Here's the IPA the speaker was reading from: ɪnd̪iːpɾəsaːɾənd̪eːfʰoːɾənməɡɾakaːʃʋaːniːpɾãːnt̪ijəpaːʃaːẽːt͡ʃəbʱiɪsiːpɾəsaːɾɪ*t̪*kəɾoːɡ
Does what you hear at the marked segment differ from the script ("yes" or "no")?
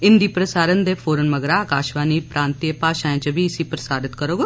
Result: no